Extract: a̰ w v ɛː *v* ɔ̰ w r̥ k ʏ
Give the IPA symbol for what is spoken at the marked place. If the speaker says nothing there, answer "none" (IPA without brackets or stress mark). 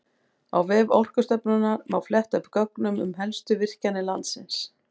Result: v